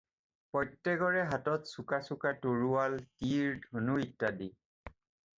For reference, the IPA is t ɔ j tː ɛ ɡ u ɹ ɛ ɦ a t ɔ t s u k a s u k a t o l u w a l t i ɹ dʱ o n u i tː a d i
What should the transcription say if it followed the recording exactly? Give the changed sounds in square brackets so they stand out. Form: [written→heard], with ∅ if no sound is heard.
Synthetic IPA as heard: [t→p] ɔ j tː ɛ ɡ [u→ɔ] ɹ ɛ ɦ a t ɔ t s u k a s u k a t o [l→ɹ] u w a l t i ɹ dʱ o n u i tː a d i